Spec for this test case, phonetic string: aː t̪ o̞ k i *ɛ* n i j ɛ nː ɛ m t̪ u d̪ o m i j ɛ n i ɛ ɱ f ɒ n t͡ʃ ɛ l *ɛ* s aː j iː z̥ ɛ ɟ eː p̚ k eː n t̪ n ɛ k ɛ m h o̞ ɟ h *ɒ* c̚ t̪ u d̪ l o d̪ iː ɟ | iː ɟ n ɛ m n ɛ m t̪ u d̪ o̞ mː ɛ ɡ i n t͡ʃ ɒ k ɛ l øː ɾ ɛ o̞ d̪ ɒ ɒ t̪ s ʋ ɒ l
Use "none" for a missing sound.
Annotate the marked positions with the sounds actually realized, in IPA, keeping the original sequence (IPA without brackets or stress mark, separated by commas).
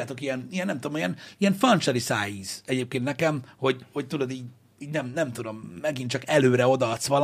ɛ, i, o